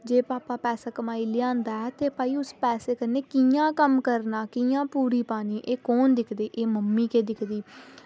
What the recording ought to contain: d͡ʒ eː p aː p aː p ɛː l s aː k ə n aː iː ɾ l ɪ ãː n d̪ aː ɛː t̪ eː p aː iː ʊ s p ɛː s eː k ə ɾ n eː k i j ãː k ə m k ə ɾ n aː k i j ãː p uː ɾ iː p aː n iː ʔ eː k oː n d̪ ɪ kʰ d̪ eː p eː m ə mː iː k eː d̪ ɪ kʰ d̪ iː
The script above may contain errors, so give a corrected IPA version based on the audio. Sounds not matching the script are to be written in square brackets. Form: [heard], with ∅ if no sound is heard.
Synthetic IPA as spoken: d͡ʒ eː p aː p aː p ɛː [∅] s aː k ə [m] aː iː [∅] l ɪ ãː n d̪ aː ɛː t̪ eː p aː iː ʊ s p ɛː s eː k ə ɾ n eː k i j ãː k ə m k ə ɾ n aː k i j ãː p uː ɾ iː p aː n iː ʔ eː k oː n d̪ ɪ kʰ d̪ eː [ʔ] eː m ə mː iː k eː d̪ ɪ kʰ d̪ iː